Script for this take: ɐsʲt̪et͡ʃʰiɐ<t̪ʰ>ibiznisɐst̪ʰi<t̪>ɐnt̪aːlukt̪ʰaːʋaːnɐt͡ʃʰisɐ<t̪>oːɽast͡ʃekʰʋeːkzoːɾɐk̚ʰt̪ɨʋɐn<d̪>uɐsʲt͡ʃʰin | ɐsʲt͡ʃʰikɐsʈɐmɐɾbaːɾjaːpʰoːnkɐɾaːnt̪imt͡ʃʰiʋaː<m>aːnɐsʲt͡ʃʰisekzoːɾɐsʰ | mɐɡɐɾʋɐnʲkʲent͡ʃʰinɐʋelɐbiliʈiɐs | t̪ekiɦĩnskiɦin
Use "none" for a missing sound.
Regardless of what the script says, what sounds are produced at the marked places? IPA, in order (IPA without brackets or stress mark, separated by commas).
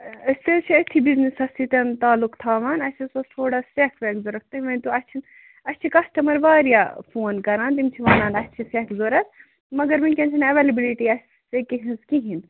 t̪ʰ, t̪, t̪ʰ, t̪, n